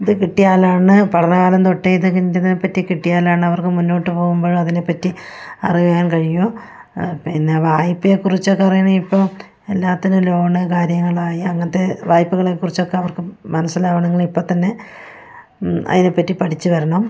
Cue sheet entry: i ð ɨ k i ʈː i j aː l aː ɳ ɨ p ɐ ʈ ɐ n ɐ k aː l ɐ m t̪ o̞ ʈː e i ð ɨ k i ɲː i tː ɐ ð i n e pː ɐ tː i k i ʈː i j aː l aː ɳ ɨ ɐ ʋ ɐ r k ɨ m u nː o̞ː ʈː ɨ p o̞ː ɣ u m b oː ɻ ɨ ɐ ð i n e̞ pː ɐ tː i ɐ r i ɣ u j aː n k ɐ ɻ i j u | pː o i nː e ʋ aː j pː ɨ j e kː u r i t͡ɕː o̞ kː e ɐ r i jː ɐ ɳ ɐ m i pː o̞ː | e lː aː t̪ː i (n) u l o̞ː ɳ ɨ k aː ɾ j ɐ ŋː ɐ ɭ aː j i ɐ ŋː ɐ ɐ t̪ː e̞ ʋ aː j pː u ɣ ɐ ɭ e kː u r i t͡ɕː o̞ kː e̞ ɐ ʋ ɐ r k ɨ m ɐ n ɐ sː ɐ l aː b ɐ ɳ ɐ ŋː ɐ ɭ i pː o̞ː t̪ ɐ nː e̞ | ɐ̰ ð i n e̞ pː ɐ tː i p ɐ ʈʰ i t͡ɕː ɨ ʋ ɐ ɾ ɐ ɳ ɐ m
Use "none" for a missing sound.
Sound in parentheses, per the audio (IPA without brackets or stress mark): n